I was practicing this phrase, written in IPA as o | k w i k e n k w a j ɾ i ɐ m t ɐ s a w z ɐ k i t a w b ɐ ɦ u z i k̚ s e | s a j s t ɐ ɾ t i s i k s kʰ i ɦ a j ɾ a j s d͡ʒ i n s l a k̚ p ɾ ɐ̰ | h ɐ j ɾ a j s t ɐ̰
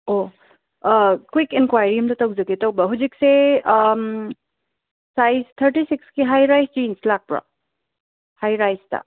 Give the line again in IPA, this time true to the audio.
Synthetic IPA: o | k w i k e n k w a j ɾ i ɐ m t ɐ t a w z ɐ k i t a w b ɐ ɦ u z i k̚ s e | s a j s tʰ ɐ ɾ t i s i k s k i ɦ a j ɾ a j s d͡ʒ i n s l a k̚ p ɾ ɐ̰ | h a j ɾ a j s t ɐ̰